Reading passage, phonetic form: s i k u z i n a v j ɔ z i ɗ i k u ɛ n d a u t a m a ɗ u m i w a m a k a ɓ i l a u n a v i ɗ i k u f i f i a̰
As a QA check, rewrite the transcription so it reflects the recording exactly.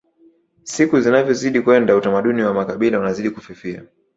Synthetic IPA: s i k u z i n a v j ɔ z i ɗ i k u ɛ n d a u t a m a ɗ u n i w a m a k a ɓ i l a u n a z i ɗ i k u f i f i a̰